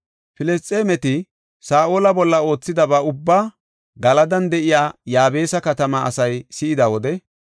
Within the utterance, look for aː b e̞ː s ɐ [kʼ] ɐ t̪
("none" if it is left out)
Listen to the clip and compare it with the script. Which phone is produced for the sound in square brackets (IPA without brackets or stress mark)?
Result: k